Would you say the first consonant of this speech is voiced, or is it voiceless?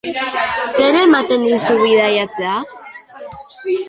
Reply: voiceless